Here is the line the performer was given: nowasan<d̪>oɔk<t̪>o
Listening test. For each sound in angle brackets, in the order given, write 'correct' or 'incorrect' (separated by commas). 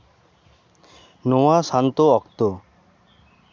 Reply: incorrect, correct